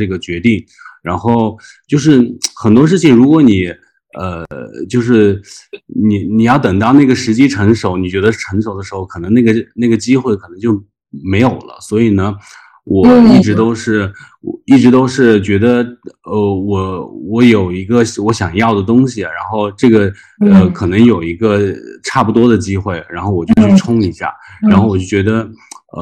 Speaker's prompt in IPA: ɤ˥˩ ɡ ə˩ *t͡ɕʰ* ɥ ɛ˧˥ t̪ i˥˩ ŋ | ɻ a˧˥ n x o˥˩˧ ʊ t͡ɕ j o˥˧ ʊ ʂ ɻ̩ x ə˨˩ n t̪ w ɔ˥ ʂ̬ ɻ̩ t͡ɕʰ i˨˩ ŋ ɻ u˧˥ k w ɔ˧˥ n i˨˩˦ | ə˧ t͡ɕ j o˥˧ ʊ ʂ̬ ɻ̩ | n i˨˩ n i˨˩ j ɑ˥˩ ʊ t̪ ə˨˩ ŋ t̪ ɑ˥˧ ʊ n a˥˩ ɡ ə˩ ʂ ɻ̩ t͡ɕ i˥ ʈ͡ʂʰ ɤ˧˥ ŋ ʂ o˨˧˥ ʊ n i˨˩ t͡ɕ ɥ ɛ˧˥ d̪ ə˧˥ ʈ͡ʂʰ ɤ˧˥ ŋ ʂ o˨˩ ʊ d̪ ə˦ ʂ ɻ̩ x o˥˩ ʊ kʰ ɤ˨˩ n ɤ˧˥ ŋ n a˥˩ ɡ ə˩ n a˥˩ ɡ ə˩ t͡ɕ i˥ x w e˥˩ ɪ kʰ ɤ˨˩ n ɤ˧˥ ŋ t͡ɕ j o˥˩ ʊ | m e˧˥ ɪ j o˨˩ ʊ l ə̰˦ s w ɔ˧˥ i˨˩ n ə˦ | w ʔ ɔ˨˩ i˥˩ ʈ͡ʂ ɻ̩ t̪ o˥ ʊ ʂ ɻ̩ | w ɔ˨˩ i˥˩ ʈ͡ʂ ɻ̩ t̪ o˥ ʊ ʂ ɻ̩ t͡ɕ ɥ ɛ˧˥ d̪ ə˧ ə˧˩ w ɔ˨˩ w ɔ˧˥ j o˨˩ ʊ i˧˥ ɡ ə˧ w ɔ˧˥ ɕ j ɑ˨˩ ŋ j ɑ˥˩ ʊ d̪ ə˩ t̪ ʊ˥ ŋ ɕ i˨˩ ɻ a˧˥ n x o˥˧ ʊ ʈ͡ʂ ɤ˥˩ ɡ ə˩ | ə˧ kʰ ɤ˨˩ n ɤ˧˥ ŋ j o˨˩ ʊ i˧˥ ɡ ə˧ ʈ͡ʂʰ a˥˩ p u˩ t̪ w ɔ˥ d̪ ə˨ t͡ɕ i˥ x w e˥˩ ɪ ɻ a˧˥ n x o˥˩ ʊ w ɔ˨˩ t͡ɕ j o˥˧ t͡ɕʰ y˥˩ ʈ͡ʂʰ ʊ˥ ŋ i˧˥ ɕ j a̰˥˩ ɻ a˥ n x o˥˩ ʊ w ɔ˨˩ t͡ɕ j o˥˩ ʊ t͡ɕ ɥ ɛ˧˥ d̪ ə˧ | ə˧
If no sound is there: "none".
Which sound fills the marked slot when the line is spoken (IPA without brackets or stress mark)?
t͡ɕ